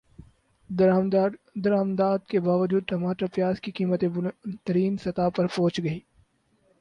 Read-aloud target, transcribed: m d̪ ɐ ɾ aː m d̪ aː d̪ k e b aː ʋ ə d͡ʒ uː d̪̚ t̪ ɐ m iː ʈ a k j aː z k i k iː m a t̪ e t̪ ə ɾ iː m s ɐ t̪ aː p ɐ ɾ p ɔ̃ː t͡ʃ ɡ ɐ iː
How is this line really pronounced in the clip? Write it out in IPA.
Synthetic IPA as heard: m d̪ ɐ ɾ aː m d̪ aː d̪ k e b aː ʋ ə d͡ʒ uː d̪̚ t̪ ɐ m aː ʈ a p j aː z k i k iː m ə t̪ e t̪ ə ɾ iː n s ɐ t̪ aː p ɐ ɾ p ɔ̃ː t͡ʃ ɡ ɐ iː